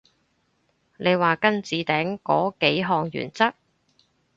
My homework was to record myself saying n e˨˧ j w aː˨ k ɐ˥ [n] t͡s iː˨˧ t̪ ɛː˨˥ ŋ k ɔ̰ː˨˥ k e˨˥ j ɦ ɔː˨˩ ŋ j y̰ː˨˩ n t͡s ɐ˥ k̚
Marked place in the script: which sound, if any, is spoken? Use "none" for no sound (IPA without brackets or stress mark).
n